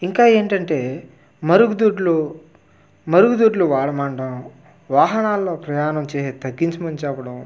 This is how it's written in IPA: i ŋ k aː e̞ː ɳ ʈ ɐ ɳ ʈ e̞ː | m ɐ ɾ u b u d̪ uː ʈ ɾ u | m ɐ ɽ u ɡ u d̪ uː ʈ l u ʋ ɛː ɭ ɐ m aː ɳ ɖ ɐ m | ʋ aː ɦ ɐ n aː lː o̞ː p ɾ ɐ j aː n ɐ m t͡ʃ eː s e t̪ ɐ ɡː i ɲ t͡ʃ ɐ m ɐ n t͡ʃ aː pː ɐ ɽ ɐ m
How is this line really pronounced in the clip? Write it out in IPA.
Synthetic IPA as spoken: i ŋ k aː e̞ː ɳ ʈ ɐ ɳ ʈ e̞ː | m ɐ ɾ u ɡ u d̪ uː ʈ l u | m ɐ ɾ u ɡ u d̪ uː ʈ l u ʋ aː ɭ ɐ m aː ɳ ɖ ɐ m | ʋ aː ɦ ɐ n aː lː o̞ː p ɾ ɐ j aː n ɐ m t͡ʃ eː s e t̪ ɐ ɡː i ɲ t͡ʃ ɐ m ɐ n t͡ʃ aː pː ɐ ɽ ɐ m